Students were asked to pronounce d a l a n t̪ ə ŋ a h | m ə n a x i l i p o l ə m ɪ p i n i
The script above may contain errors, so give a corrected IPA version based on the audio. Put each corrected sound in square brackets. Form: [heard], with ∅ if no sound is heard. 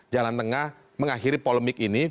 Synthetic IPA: [d͡ʒ] a l a n t̪ ə ŋ a h | m ə [ŋ] a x i [ɾ] i p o l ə m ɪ [k] i n i